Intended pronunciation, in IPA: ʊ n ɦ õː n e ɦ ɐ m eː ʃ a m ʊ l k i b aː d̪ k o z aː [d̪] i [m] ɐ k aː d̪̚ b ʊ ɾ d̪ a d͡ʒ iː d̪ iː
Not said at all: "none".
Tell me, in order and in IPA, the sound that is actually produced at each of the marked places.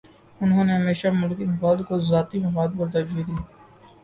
t̪, m

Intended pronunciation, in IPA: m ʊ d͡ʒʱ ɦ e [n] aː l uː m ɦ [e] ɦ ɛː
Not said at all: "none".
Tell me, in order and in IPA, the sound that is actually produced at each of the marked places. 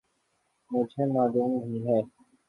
m, i

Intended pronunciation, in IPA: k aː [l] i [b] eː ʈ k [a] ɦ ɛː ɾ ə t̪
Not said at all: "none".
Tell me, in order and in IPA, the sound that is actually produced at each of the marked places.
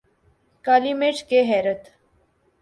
l, m, e

